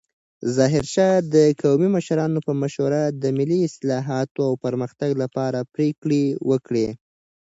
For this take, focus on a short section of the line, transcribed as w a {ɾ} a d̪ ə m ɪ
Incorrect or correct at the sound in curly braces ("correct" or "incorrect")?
correct